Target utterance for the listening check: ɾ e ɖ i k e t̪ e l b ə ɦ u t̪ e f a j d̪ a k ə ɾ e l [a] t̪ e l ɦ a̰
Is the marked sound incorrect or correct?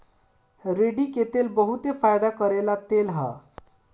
correct